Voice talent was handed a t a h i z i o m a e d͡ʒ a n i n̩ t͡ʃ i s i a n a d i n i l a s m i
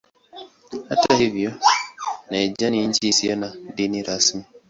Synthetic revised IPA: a t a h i v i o n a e d͡ʒ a n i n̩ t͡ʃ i s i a n a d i n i ɾ a s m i